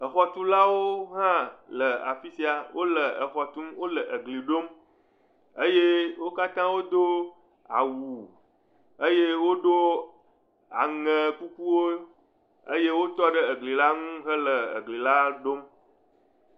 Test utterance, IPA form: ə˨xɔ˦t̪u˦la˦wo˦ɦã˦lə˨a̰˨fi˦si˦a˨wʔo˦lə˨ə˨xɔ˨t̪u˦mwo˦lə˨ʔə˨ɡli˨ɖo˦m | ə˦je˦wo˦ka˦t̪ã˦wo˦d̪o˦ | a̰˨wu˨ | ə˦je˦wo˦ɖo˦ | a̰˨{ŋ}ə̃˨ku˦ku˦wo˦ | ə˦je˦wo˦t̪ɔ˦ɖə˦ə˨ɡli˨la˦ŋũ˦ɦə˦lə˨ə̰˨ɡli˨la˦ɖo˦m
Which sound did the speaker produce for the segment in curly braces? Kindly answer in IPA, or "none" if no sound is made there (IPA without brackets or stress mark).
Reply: ŋ